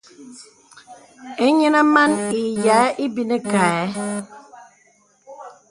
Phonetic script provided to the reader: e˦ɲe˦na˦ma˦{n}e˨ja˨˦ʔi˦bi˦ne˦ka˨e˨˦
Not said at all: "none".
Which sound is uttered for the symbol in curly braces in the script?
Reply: n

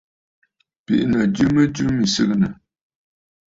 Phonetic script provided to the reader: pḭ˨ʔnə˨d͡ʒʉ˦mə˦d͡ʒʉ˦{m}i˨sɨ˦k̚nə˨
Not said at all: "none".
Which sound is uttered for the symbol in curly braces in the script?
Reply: m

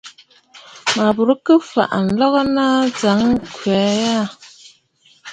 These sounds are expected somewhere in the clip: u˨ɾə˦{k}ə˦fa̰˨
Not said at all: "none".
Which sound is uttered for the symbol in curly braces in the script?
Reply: k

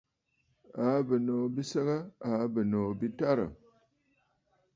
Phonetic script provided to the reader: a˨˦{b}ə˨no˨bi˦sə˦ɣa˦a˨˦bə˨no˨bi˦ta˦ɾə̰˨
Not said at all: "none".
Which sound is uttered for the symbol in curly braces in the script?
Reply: b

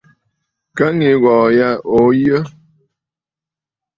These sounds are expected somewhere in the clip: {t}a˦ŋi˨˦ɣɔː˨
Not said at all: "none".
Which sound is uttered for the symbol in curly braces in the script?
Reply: k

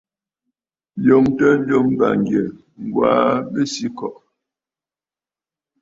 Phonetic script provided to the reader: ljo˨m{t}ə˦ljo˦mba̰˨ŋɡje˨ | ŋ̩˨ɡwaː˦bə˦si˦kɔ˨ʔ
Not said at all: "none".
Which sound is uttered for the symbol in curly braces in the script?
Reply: t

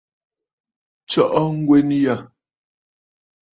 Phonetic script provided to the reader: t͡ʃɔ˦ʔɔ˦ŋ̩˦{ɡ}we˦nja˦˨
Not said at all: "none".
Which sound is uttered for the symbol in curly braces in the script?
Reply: ɡ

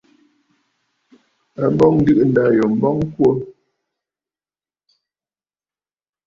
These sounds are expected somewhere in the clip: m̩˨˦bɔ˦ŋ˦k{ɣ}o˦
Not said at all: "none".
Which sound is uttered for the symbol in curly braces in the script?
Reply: w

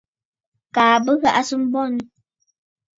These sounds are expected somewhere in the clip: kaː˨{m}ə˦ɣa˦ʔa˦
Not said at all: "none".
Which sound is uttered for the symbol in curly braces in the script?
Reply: b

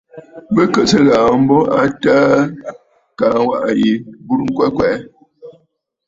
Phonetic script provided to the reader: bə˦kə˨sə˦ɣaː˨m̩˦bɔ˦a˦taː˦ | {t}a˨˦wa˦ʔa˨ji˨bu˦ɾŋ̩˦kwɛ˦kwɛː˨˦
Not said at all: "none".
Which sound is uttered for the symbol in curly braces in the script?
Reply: k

